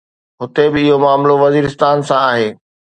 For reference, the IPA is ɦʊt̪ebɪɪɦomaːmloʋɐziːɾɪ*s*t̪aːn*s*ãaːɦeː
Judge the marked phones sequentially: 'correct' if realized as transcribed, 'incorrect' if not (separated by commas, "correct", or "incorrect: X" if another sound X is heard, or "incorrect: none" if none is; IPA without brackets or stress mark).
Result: correct, correct